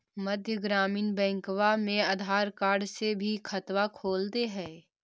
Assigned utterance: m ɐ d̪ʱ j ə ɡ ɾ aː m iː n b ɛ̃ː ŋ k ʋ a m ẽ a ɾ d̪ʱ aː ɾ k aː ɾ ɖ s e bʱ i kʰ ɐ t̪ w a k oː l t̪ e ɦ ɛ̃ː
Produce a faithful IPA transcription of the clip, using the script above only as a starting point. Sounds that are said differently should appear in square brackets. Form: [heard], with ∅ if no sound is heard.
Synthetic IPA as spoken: m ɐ d̪ʱ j ə ɡ ɾ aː m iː n b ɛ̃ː ŋ k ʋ a m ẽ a [∅] d̪ʱ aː ɾ k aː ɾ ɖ s e bʱ i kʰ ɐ t̪ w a [kʰ] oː l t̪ e ɦ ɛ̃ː